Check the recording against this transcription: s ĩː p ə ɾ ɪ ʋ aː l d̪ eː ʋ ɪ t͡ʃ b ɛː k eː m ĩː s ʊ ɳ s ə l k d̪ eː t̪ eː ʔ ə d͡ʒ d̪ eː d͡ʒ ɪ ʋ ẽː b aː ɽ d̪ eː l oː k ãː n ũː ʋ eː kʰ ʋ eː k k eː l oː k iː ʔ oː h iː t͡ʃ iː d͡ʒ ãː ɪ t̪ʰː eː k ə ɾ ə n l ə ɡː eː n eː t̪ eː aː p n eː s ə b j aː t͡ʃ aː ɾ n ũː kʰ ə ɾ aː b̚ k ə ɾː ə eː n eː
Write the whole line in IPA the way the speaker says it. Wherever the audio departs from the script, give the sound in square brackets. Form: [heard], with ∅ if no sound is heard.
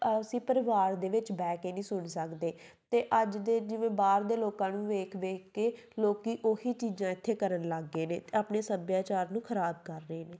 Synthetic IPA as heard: s ĩː p ə ɾ ɪ ʋ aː [ɾ] d̪ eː ʋ ɪ t͡ʃ b ɛː k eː [n] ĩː s ʊ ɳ s ə [∅] k d̪ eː t̪ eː ʔ ə d͡ʒ d̪ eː d͡ʒ ɪ ʋ ẽː b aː [ɾ] d̪ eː l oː k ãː n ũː ʋ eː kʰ ʋ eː k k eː l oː k iː ʔ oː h iː t͡ʃ iː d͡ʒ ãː ɪ t̪ʰː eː k ə ɾ ə n l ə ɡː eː n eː t̪ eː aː p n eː s ə b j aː t͡ʃ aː ɾ n ũː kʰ ə ɾ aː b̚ k ə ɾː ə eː n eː

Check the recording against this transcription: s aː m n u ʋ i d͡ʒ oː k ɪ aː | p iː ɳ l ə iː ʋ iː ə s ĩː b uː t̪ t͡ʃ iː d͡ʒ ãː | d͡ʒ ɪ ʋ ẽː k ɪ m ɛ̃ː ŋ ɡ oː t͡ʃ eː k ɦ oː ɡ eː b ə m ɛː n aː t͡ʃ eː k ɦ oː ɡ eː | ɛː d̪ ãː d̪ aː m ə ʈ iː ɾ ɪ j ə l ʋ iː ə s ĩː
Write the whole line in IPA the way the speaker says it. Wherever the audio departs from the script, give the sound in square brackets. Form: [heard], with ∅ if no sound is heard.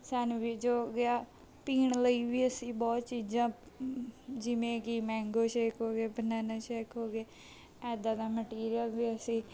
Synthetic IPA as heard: s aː [∅] n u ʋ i d͡ʒ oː [ɡ] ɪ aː | p iː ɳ l ə iː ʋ iː ə s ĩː b [ɔː] t̪ t͡ʃ iː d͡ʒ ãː | d͡ʒ ɪ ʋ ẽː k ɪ m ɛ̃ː ŋ ɡ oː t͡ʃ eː k ɦ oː ɡ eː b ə [n] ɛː n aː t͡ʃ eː k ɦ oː ɡ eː | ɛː d̪ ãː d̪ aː m ə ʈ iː ɾ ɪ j ə l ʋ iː ə s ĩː

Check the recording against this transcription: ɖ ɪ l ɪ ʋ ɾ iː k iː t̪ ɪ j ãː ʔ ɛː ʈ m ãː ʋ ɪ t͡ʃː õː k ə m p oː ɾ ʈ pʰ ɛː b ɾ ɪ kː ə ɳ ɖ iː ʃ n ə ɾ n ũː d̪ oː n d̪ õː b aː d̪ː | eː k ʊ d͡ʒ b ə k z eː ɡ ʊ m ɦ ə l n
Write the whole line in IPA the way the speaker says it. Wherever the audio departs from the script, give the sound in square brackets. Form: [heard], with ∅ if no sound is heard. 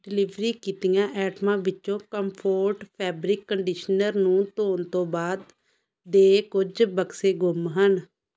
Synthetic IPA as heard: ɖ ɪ l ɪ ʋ ɾ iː k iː t̪ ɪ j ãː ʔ ɛː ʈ m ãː ʋ ɪ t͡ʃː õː k ə m [pʰ] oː ɾ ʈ pʰ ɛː b ɾ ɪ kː ə ɳ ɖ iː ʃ n ə ɾ n ũː [t̪] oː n [t̪] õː b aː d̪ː | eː k ʊ d͡ʒ b ə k [s] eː ɡ ʊ m ɦ ə [∅] n

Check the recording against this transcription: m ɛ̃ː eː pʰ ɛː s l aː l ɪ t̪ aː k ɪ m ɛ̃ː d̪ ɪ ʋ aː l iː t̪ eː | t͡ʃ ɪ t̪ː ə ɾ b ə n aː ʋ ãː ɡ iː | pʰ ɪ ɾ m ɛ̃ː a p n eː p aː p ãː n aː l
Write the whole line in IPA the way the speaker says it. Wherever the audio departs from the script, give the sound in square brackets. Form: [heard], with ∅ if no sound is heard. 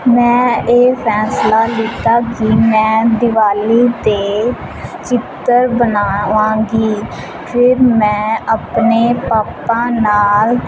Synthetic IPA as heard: m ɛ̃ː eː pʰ ɛː s l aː l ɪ t̪ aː k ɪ m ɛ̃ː d̪ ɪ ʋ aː l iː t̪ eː | t͡ʃ ɪ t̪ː ə ɾ b ə n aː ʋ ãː ɡ iː | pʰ ɪ ɾ m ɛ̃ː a p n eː p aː p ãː n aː l

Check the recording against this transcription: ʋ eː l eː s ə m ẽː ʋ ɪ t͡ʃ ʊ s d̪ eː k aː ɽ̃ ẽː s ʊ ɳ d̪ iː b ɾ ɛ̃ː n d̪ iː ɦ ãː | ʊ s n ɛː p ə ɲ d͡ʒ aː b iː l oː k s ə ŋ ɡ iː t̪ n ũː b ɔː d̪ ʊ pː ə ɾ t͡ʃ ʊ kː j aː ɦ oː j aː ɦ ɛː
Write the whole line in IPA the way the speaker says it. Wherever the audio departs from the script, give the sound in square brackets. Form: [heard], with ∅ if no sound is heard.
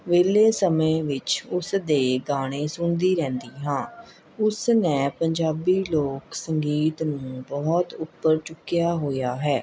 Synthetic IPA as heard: ʋ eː l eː s ə m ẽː ʋ ɪ t͡ʃ ʊ s d̪ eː [ɡ] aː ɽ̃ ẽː s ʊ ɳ d̪ iː [∅] ɾ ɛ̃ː n d̪ iː ɦ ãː | ʊ s n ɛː p ə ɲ d͡ʒ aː b iː l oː k s ə ŋ ɡ iː t̪ n ũː b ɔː [t̪] ʊ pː ə ɾ t͡ʃ ʊ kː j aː ɦ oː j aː ɦ ɛː

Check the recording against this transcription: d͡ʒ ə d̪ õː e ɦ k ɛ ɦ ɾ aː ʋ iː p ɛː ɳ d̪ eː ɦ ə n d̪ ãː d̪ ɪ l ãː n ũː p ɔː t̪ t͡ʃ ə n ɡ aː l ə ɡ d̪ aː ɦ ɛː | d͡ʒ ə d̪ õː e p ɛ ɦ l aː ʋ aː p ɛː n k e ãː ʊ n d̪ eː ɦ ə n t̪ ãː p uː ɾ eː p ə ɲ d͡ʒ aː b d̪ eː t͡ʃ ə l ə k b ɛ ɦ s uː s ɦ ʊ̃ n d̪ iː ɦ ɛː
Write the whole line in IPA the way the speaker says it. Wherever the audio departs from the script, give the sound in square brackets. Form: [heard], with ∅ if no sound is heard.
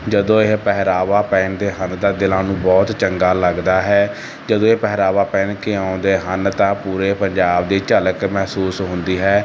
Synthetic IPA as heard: d͡ʒ ə d̪ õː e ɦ [p] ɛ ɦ ɾ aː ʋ [aː] p ɛː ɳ d̪ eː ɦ ə n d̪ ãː d̪ ɪ l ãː n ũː [b] ɔː t̪ t͡ʃ ə [ŋ] ɡ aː l ə ɡ d̪ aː ɦ ɛː | d͡ʒ ə d̪ õː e p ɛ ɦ [ɾ] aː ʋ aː p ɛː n k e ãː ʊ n d̪ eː ɦ ə n t̪ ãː p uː ɾ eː p ə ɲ d͡ʒ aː b d̪ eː t͡ʃ ə l ə k [m] ɛ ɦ s uː s ɦ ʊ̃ n d̪ iː ɦ ɛː

